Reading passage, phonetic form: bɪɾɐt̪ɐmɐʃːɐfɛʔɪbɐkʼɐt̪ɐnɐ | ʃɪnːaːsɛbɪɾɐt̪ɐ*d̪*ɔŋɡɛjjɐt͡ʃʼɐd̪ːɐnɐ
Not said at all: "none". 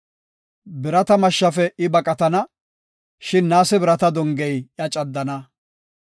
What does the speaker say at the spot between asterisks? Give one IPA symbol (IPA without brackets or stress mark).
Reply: d̪